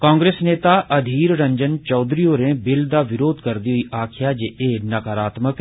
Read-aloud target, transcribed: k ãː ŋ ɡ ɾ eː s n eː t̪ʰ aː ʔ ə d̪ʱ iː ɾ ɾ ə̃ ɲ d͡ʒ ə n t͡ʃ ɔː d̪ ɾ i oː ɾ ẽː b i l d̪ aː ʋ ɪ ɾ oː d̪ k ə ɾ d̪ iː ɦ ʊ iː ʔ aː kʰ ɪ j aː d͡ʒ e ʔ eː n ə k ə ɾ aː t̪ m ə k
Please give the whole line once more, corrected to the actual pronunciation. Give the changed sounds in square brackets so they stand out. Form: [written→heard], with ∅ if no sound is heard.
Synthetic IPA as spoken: k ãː ŋ ɡ ɾ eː s n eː [t̪ʰ→t̪] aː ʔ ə d̪ʱ iː ɾ ɾ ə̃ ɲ d͡ʒ ə n t͡ʃ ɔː d̪ ɾ i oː ɾ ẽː b [i→ɪ] l d̪ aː ʋ ɪ ɾ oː d̪ k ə ɾ d̪ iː ɦ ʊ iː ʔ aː kʰ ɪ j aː d͡ʒ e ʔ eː n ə k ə ɾ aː t̪ m ə k